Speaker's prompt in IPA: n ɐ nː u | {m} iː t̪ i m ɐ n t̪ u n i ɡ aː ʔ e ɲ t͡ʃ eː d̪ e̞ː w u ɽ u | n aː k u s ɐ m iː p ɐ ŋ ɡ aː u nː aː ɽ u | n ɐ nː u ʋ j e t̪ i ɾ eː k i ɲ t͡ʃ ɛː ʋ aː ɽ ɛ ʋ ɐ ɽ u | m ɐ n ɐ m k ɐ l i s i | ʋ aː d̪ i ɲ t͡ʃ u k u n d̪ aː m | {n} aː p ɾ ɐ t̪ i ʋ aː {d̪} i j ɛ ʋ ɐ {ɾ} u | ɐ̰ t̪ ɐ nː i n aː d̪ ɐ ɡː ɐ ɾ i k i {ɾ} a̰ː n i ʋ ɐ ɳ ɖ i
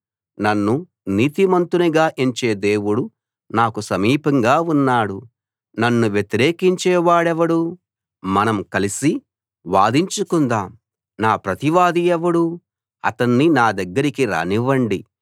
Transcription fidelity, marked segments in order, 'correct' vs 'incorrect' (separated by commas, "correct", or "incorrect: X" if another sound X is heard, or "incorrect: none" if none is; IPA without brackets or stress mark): incorrect: n, correct, correct, incorrect: ɽ, correct